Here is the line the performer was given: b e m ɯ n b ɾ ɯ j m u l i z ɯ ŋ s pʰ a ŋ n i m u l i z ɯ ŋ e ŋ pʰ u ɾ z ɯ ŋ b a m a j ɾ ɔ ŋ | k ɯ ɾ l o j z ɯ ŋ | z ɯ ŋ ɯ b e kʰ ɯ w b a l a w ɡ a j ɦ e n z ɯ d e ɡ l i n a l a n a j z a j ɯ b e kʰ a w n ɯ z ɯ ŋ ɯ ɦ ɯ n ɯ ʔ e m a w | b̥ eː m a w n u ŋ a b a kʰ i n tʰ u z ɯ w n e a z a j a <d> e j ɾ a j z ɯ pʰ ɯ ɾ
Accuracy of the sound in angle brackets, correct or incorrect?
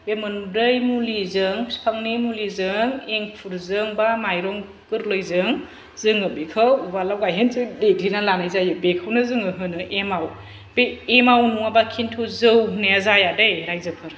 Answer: correct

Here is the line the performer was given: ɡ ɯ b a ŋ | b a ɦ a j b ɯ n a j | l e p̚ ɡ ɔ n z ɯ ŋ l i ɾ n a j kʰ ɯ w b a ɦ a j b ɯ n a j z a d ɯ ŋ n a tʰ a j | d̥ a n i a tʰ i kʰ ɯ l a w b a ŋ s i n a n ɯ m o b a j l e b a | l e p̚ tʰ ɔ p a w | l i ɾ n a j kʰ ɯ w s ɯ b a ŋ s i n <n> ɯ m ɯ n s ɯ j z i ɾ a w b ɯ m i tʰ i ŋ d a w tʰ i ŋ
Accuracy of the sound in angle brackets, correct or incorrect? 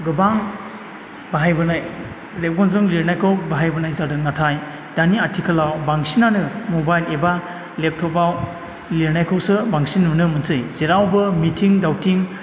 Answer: correct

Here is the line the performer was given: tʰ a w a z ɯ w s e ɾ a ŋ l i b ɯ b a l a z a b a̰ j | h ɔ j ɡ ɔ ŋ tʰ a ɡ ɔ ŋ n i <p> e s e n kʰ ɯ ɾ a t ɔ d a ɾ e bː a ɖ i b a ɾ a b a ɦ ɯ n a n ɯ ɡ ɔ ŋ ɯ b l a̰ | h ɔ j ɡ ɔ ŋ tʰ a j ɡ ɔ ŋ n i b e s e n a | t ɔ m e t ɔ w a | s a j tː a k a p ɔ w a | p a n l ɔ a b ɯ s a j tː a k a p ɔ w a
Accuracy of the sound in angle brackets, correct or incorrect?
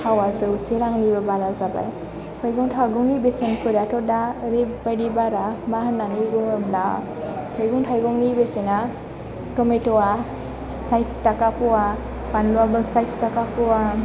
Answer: incorrect: b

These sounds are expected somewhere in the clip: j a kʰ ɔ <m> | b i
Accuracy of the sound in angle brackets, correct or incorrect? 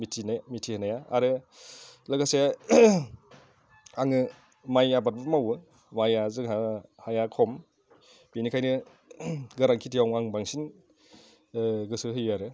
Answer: correct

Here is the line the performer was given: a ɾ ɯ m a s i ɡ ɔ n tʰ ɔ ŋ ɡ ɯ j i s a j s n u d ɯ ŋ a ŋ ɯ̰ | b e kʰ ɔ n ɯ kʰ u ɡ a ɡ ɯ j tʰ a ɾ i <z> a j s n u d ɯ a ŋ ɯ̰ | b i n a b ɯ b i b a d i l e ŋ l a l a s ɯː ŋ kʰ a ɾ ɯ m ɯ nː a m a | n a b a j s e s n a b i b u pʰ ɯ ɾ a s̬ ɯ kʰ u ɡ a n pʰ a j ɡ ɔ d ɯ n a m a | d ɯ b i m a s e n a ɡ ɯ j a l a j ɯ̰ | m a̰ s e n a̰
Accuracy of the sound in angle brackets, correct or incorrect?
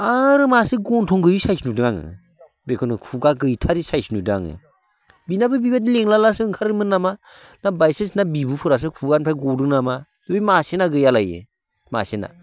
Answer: incorrect: s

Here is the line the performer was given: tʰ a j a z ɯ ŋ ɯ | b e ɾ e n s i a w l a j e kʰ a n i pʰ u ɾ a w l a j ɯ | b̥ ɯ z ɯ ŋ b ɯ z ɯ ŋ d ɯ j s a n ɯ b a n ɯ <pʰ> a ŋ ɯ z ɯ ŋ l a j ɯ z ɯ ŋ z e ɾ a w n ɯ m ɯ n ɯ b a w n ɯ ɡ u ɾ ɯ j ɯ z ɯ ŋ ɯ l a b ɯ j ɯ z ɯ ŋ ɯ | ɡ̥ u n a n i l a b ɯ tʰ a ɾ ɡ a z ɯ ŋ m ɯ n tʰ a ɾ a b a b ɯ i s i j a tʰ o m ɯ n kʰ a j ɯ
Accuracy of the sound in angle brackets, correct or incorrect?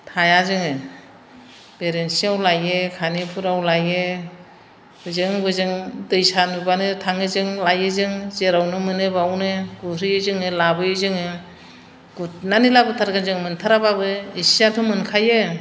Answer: incorrect: tʰ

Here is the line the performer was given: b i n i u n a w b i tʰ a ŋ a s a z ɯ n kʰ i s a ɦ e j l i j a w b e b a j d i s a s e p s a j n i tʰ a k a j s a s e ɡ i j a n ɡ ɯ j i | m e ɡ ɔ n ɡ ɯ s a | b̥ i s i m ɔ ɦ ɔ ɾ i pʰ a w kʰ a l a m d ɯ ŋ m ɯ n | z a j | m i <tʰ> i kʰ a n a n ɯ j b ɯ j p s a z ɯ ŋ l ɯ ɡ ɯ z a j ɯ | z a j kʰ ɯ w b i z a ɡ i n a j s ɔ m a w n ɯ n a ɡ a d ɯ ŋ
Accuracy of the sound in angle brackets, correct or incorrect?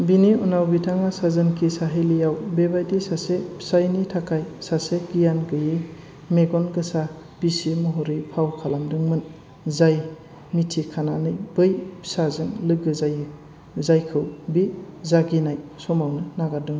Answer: correct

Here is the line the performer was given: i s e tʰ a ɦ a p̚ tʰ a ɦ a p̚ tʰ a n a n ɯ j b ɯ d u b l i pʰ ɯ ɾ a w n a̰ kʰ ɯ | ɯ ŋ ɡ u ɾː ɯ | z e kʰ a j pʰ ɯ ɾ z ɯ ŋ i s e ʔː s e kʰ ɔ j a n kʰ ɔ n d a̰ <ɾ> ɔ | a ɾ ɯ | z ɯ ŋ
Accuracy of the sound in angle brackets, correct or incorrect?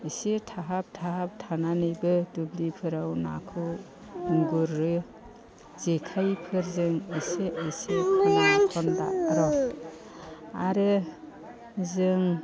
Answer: correct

